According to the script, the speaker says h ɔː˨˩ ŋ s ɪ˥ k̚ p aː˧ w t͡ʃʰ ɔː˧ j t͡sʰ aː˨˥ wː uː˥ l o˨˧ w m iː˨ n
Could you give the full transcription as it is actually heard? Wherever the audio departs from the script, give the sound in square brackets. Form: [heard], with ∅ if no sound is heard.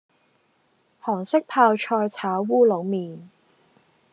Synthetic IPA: h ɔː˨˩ ŋ s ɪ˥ k̚ [pʰ] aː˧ w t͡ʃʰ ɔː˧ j t͡sʰ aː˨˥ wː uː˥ l o˨˧ w m iː˨ n